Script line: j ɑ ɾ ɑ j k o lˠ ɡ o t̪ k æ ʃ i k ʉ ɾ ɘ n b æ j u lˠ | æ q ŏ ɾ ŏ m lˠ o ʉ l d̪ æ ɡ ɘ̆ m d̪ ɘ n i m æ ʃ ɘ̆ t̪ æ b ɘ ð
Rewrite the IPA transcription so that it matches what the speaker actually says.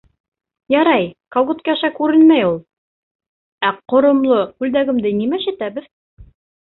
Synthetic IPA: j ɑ ɾ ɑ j k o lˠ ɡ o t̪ k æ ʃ æ k ʉ ɾ ɘ n m æ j u lˠ | æ q ŏ ɾ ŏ m lˠ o ʉ l d̪ æ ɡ ɘ̆ m d̪ ɘ n i m æ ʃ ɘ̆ t̪ æ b ɘ ð